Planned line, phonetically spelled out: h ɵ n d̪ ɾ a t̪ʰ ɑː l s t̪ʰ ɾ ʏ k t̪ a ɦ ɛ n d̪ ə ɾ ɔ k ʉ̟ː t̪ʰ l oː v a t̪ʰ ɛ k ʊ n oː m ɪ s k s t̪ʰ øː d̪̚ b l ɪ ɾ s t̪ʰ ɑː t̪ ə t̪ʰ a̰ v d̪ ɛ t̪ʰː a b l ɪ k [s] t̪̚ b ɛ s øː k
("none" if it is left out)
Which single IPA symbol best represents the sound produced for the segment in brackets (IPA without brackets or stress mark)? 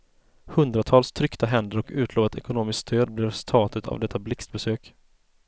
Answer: s